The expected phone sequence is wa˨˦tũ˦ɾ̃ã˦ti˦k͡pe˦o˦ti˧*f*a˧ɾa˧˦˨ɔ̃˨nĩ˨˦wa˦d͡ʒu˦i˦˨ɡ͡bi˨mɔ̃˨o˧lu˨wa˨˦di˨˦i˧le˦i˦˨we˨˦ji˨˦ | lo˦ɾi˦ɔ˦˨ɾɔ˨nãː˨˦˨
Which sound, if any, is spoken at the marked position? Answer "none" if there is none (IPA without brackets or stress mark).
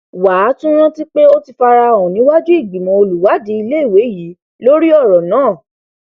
f